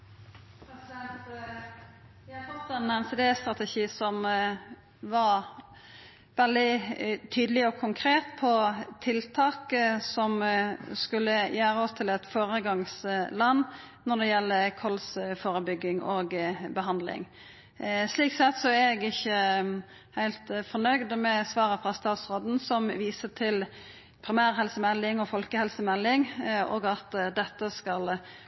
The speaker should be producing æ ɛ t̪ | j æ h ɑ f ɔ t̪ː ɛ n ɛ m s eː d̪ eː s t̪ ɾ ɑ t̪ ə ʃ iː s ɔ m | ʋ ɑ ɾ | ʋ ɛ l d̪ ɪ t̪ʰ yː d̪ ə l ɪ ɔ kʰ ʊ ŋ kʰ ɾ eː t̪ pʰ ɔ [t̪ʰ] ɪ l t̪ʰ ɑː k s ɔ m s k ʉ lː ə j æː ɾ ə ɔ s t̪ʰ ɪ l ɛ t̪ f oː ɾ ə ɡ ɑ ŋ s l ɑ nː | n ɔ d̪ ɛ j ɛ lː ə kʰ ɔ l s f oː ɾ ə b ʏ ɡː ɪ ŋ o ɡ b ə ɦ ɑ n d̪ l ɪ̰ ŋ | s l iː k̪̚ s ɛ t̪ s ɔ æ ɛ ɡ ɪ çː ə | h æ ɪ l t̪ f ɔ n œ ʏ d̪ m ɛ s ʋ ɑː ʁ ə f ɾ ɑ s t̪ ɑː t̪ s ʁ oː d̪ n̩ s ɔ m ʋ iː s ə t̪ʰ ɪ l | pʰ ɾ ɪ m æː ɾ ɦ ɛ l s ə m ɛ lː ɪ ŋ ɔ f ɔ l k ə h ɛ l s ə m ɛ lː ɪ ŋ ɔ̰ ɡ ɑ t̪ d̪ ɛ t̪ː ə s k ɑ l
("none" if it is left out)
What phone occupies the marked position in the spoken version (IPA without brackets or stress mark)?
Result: t̪ʰ